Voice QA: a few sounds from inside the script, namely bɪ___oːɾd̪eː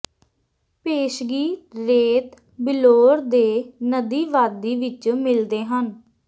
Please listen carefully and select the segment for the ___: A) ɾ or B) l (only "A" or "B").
B